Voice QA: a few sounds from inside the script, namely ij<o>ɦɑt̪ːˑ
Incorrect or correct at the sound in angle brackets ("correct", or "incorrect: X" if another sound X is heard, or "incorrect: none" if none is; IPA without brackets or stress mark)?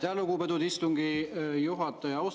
incorrect: u